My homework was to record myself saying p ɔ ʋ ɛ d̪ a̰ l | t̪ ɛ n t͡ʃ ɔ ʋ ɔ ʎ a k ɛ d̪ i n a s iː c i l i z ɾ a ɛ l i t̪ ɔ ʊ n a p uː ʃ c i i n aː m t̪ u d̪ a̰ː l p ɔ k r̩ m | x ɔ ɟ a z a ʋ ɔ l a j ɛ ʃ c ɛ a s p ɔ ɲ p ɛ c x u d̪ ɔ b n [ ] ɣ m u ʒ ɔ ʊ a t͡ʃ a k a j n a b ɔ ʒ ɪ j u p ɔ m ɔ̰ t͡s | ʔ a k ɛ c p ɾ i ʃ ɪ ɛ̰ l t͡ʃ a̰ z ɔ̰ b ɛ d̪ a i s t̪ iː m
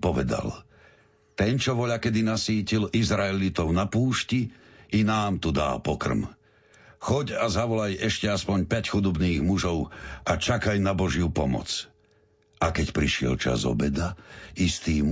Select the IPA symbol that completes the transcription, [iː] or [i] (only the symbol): iː